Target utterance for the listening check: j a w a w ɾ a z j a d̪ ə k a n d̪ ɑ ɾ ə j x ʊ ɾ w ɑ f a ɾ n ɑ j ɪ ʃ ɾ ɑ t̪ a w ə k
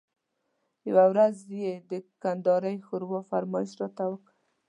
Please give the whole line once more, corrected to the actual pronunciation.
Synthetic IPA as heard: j a w a w ɾ a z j e d̪ ə k a n d̪ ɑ ɾ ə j x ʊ ɾ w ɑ f a ɾ m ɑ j ɪ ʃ ɾ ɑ t̪ a w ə k